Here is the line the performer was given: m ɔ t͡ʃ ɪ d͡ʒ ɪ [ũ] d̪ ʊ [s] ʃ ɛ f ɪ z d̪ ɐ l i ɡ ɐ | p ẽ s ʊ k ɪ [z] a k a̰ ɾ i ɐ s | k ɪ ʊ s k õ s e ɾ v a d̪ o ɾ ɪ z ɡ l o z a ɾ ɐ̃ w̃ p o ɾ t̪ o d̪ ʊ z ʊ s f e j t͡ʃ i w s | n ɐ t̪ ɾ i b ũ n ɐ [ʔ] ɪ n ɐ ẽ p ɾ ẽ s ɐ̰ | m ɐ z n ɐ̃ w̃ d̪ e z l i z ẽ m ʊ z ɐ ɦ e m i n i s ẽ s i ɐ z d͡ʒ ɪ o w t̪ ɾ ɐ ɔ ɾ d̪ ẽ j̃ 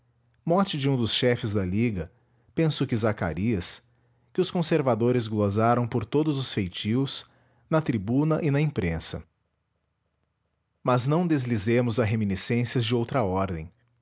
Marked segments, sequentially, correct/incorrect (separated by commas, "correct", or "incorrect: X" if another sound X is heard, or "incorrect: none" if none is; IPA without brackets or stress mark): correct, correct, correct, correct